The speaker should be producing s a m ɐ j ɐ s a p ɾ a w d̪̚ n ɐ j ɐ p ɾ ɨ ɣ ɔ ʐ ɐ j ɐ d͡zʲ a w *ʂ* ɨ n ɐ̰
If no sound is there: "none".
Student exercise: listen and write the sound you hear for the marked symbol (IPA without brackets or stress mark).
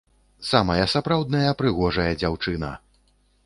t͡ʂ